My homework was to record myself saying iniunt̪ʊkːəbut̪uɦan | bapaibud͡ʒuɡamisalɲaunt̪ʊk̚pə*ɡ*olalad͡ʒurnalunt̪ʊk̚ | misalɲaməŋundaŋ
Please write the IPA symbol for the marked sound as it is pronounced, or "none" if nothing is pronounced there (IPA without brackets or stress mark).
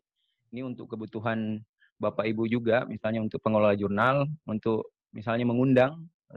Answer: ŋ